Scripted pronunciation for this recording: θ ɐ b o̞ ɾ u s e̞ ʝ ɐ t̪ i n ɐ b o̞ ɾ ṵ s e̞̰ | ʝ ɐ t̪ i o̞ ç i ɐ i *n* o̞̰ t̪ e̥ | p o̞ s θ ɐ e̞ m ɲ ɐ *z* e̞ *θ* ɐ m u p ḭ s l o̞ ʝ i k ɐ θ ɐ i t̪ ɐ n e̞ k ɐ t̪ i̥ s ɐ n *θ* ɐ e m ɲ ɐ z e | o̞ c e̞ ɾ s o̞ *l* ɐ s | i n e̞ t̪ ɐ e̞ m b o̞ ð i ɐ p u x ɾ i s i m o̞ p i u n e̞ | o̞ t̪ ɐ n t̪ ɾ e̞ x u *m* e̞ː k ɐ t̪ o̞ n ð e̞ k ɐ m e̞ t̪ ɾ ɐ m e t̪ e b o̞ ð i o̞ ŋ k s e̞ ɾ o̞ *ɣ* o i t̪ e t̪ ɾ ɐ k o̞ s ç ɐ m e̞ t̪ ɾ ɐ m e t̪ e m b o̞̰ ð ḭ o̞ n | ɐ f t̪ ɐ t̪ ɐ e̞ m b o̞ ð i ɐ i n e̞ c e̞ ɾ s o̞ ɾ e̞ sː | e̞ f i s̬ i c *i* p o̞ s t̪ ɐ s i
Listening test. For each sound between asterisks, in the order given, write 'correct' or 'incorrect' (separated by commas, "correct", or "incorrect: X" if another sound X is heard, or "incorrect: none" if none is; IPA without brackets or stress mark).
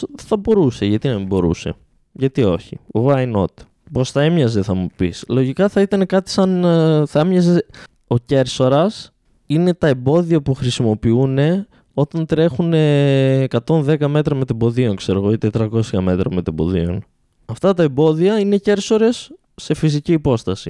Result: correct, correct, correct, correct, incorrect: ɾ, incorrect: n, correct, incorrect: iː